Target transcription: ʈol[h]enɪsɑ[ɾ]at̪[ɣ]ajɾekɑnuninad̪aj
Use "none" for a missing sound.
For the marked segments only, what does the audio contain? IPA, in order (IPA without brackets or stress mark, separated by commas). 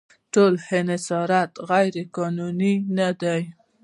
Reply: h, ɾ, ɣ